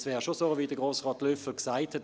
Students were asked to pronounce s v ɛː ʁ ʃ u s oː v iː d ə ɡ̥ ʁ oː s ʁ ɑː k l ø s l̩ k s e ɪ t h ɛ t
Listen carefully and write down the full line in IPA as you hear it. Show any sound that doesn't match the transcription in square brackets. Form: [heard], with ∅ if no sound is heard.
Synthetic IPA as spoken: s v ɛː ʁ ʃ [o] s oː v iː d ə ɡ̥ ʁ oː s ʁ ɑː [t] l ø [f] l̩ k s [a] ɪ t h ɛ t